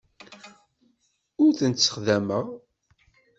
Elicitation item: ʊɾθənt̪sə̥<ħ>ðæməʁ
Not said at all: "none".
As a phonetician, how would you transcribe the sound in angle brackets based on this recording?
χ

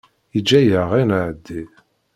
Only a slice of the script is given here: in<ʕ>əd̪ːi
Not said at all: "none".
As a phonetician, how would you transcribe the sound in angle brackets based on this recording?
ʕ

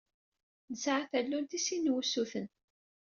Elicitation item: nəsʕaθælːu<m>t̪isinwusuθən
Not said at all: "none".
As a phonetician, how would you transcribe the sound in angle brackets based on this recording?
n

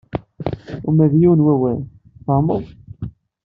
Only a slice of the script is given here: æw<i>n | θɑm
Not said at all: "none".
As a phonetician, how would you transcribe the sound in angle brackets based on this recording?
æ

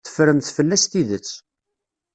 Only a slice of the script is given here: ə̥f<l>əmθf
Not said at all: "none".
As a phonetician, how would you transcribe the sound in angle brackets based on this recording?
ɾ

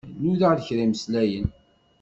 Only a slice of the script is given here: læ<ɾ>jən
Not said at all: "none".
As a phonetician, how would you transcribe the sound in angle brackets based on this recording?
none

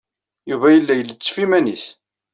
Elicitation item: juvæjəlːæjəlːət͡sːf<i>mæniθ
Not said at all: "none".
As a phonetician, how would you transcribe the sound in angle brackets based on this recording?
i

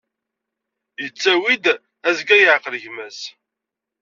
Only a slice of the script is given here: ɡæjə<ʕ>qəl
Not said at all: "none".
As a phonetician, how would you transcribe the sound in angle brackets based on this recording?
ʕ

